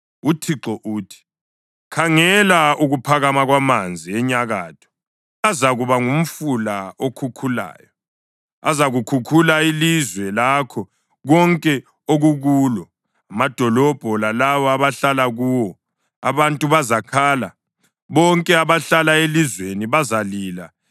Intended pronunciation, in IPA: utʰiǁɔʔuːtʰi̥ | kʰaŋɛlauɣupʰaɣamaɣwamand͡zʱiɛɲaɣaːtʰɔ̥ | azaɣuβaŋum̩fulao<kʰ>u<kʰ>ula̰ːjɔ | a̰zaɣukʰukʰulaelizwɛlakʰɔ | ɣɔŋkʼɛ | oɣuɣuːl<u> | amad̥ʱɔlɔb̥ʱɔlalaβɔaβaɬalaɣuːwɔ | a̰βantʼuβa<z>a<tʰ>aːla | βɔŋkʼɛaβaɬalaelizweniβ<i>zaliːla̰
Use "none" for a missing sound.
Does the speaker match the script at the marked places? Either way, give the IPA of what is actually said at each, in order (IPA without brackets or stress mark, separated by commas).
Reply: kʰ, kʰ, ɔ, z, kʰ, a